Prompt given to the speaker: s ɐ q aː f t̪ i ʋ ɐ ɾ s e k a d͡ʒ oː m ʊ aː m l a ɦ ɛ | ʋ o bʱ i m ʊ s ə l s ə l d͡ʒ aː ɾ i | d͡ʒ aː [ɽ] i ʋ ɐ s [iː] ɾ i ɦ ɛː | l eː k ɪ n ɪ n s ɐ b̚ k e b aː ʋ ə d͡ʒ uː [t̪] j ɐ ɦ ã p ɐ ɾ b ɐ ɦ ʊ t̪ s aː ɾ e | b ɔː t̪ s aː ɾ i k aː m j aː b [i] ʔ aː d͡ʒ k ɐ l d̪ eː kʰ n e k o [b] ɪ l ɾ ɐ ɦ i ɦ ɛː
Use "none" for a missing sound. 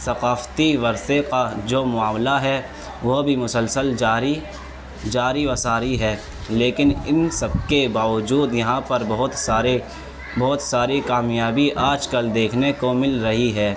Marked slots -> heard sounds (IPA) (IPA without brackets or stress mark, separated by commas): ɾ, aː, d̪, i, m